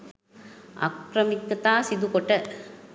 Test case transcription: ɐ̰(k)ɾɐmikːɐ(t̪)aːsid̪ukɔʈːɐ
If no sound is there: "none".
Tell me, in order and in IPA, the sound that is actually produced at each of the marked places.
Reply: k, t̪

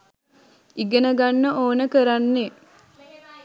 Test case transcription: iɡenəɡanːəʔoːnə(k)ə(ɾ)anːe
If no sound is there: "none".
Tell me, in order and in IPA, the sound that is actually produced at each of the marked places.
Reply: k, ɾ

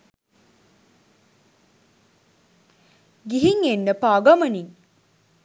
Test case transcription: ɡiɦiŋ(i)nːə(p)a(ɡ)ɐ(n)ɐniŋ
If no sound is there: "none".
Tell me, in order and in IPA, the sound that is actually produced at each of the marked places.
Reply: e, p, ɡ, m

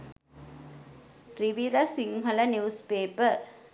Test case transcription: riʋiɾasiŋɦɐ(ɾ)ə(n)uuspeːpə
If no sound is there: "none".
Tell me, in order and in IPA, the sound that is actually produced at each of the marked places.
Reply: l, n

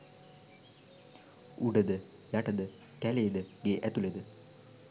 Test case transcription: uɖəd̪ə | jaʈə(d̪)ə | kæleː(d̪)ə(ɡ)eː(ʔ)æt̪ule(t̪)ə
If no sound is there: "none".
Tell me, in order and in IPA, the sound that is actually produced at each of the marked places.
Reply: d̪, d̪, ɡ, ʔ, d̪

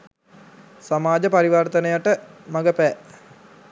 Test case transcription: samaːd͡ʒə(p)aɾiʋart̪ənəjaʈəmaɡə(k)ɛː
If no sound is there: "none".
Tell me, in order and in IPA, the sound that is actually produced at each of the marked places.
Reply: p, p

